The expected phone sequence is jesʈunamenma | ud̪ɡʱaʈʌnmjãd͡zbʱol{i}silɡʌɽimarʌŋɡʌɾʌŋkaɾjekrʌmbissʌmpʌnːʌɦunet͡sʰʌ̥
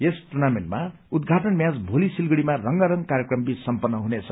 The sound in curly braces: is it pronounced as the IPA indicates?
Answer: yes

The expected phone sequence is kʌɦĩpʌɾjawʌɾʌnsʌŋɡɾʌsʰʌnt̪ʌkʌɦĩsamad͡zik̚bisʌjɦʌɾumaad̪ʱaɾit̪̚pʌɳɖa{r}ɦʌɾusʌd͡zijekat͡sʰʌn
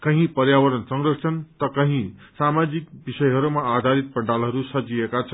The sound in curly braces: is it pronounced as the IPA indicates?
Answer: no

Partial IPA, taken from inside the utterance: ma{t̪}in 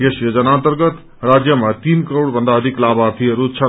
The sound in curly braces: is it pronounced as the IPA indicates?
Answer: yes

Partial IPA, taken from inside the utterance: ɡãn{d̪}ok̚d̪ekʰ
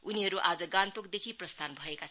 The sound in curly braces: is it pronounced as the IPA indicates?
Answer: no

